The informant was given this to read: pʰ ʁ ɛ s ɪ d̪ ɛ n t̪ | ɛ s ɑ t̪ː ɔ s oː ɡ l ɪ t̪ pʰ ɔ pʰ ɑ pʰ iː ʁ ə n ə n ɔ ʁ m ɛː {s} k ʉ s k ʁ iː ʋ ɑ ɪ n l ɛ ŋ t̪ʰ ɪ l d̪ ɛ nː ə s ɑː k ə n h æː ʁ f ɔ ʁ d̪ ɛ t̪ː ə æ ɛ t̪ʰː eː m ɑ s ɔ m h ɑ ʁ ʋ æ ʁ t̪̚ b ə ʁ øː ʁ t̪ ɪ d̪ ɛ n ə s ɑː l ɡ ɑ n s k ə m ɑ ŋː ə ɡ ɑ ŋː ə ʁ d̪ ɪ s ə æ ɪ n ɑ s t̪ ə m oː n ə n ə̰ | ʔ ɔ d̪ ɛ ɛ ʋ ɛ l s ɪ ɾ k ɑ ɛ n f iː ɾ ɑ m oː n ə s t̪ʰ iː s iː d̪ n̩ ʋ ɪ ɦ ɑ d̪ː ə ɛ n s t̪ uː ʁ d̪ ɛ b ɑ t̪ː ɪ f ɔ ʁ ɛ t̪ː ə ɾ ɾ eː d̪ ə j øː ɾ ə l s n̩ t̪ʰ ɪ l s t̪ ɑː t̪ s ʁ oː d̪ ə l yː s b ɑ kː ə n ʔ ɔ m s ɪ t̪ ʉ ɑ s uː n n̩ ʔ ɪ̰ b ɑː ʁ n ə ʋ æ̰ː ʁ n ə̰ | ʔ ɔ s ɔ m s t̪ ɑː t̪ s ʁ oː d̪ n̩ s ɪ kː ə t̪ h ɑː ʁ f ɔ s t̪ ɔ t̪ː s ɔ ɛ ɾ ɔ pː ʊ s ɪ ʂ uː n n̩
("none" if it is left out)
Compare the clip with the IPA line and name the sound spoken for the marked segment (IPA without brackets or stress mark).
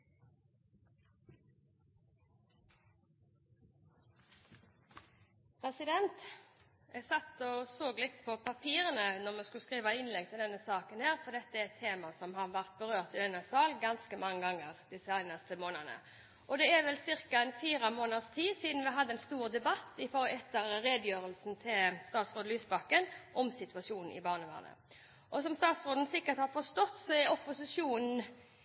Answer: s